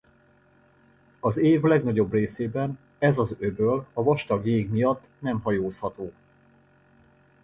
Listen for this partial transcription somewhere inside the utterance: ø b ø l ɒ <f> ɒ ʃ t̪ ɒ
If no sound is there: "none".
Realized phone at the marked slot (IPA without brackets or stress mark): v